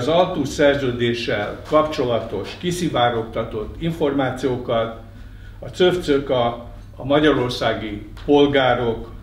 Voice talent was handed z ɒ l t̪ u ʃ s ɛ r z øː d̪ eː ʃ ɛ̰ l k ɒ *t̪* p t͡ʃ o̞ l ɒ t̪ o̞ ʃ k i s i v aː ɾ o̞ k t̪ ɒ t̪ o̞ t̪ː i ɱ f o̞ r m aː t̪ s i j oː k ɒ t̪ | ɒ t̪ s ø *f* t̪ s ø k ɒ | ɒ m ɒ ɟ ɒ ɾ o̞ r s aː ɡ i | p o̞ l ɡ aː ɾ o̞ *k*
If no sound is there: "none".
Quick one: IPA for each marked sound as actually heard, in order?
none, f, k

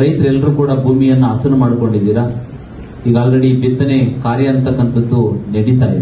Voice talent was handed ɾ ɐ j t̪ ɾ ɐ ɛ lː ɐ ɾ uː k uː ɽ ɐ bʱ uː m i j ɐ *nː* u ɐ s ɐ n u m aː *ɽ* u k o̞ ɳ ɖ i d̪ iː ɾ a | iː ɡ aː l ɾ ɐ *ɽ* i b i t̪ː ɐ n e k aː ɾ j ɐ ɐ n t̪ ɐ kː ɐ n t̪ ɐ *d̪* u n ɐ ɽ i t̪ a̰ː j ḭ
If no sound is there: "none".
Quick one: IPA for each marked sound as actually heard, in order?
nː, ɽ, ɽ, d̪ː

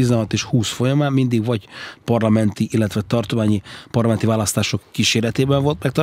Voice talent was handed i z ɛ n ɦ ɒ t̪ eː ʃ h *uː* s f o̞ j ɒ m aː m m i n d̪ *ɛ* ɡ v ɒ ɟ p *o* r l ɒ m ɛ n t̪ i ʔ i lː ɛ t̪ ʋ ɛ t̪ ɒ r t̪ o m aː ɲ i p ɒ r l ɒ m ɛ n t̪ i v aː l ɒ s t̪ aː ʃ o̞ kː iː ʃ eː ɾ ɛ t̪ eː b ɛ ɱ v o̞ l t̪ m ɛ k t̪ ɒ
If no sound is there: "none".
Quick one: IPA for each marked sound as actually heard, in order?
uː, i, ɒ

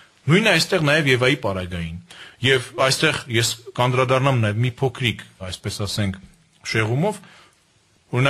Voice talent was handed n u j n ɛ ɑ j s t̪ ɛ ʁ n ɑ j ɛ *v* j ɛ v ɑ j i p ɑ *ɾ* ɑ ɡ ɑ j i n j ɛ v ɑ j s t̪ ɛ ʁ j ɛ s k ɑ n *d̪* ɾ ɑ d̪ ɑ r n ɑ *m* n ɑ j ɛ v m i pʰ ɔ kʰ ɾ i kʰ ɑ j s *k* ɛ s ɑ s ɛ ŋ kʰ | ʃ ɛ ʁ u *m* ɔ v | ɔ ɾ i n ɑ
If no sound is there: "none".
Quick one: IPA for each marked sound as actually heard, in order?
v, ɾ, d̪, m, p, m

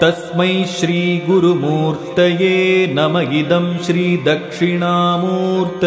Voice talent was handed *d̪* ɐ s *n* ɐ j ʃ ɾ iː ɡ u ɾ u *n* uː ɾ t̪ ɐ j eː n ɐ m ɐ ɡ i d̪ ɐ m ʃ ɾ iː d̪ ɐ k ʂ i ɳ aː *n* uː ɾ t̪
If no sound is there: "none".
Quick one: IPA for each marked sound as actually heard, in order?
t̪, m, m, m

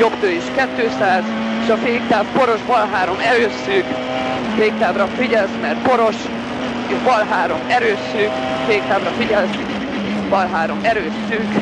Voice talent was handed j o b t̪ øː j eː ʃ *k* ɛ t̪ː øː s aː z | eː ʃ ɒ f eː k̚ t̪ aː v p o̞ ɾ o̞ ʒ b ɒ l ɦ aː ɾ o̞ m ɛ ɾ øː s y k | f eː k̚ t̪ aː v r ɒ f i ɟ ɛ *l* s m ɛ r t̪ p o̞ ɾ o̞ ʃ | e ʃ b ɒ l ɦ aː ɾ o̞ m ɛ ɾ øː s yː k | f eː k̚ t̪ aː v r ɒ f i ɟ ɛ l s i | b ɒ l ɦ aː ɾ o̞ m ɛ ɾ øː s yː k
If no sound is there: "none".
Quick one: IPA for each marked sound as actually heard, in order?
k, l

